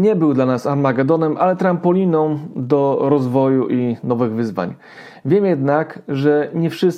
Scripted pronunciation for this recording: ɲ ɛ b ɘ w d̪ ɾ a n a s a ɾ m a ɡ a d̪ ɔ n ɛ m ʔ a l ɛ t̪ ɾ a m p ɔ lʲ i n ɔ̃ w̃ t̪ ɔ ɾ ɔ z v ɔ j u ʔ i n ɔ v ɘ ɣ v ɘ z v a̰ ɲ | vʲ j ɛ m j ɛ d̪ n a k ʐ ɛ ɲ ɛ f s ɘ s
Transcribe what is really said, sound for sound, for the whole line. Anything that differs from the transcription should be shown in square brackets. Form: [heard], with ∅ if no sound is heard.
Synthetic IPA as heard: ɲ ɛ b ɘ w d̪ [l] a n a s a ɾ m a ɡ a d̪ ɔ n ɛ m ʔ a l ɛ t̪ ɾ a m p ɔ lʲ i n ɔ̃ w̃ [d̪] ɔ ɾ ɔ z v ɔ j u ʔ i n ɔ v ɘ ɣ v ɘ z v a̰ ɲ | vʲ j ɛ m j ɛ d̪ n a k ʐ ɛ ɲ ɛ f [ʂ] ɘ s